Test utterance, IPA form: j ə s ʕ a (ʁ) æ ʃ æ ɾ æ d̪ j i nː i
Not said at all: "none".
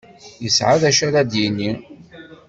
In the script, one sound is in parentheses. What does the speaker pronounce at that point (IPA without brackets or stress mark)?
ð